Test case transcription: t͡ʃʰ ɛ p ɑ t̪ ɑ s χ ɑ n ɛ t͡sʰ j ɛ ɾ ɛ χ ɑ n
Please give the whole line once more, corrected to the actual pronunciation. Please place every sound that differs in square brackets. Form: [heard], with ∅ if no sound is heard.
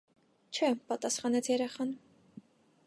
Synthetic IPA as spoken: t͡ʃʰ ɛ p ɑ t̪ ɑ s χ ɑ n ɛ t͡sʰ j ɛ ɾ ɛ χ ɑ n

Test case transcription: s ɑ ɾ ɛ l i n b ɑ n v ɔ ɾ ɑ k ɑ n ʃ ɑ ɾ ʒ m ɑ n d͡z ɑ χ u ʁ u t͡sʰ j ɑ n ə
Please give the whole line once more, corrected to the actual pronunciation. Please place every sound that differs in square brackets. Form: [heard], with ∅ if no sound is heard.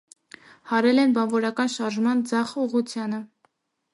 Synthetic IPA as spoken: [h] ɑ ɾ ɛ l [ɛ] n b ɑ n v ɔ ɾ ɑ k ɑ n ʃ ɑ ɾ ʒ m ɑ n d͡z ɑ χ u ʁ u t͡sʰ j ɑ n ə

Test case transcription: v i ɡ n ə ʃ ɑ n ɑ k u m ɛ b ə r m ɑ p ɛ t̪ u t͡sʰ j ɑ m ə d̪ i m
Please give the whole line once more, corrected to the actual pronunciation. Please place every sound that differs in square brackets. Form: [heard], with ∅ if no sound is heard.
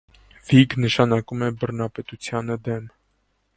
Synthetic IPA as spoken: v i ɡ n ə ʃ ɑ n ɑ k u m ɛ b ə r [n] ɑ p ɛ t̪ u t͡sʰ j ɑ [n] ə d̪ [ɛ] m

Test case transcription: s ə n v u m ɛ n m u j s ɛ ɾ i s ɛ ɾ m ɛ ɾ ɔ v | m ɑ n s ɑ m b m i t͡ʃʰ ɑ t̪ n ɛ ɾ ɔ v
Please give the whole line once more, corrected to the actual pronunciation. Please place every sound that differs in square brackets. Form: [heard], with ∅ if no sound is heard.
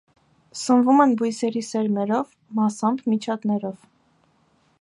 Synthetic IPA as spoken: s ə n v u m ɛ n [b] u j s ɛ ɾ i s ɛ ɾ m ɛ ɾ ɔ v | m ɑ [∅] s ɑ m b m i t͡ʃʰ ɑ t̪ n ɛ ɾ ɔ v

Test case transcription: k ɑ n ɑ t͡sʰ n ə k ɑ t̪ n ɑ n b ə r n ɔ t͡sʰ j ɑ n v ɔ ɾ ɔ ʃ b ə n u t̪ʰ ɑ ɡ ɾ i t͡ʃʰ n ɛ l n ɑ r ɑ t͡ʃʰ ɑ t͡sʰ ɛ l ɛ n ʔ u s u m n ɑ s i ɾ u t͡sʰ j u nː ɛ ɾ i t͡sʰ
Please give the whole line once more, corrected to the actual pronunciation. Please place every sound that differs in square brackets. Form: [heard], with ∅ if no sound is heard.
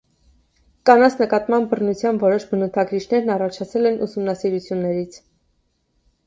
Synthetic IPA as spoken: k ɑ n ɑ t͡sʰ n ə k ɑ t̪ [m] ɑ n b ə r n [u] t͡sʰ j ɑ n v ɔ ɾ ɔ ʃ b ə n u t̪ʰ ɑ ɡ ɾ i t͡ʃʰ n ɛ [ɾ] n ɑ r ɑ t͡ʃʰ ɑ t͡sʰ ɛ l ɛ n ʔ u s u m n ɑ s i ɾ u t͡sʰ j u nː ɛ ɾ i t͡sʰ

